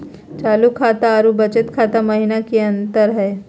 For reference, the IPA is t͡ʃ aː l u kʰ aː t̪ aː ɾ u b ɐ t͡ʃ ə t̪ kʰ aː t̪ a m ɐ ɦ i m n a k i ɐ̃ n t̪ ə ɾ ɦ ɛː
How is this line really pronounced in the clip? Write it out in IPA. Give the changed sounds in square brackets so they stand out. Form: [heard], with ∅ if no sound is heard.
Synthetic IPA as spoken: t͡ʃ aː l u kʰ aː t̪ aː ɾ u b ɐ t͡ʃ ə t̪ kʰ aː t̪ a m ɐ ɦ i [∅] n a k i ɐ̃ n t̪ ə ɾ ɦ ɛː